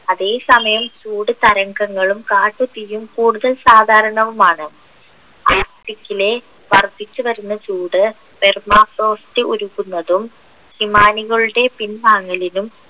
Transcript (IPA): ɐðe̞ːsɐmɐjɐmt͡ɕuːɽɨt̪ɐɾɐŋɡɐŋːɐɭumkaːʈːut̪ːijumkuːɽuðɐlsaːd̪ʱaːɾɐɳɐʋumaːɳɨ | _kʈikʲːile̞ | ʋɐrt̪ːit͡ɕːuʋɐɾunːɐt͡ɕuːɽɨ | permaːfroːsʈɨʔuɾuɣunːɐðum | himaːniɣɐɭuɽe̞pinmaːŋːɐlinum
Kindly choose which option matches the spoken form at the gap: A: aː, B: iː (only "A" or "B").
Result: A